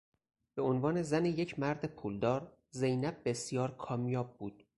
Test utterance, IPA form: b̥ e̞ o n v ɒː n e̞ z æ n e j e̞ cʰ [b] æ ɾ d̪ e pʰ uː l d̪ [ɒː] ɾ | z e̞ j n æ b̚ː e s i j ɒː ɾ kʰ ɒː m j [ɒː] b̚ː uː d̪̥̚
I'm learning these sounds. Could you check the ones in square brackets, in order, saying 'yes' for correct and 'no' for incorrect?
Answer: no, yes, yes

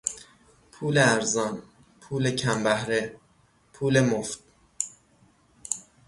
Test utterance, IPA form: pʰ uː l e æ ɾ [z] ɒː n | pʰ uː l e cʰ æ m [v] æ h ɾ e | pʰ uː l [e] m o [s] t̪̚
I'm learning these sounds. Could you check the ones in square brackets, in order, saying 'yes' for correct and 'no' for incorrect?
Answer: yes, no, yes, no

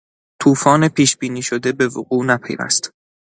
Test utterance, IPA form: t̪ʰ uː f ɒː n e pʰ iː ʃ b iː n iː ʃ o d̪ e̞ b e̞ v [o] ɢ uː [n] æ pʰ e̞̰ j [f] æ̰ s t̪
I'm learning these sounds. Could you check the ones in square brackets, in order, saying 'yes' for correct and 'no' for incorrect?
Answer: yes, yes, no

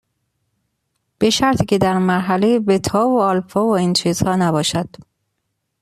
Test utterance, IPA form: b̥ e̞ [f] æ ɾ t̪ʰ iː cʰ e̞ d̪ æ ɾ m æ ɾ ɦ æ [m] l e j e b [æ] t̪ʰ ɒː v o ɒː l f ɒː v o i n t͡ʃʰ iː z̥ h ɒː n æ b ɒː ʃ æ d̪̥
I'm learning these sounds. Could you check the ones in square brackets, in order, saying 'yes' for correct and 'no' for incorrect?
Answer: no, no, no

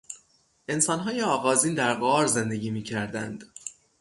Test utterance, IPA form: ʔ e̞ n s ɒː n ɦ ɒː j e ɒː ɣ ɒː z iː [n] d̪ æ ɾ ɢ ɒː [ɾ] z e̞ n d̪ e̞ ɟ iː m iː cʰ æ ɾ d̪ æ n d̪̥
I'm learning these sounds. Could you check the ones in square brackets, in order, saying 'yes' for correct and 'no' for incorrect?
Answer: yes, yes

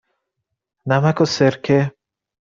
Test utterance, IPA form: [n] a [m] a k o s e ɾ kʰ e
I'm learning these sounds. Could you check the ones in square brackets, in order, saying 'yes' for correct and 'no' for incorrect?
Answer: yes, yes

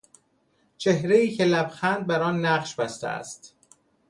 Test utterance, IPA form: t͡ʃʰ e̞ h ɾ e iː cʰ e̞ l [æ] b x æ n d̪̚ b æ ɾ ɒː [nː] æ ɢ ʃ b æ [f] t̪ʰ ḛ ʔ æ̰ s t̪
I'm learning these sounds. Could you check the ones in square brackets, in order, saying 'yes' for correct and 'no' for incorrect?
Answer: yes, yes, no

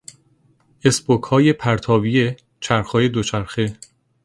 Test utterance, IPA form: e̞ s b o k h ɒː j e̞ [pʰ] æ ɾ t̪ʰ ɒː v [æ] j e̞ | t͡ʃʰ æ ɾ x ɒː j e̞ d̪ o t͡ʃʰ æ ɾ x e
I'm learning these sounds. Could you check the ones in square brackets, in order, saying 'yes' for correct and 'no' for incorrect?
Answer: yes, no

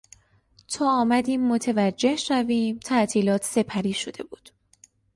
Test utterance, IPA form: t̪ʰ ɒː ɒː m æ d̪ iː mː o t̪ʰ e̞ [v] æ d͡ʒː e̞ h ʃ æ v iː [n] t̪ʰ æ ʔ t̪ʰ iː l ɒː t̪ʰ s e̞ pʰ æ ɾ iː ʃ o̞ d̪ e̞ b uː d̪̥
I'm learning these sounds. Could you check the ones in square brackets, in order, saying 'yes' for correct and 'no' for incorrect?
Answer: yes, no

